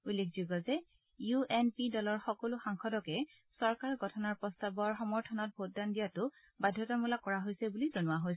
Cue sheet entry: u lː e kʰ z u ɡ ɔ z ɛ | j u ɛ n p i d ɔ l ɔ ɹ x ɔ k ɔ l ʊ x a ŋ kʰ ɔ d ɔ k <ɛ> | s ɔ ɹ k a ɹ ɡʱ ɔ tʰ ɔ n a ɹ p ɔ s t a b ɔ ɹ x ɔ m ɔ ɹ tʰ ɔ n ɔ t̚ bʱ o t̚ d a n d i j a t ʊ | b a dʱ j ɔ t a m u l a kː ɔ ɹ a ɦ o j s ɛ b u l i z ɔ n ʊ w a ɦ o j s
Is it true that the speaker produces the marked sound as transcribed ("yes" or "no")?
yes